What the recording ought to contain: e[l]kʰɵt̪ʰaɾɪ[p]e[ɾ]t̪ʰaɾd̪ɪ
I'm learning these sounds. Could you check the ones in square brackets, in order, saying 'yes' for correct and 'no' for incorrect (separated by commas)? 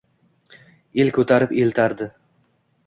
yes, yes, no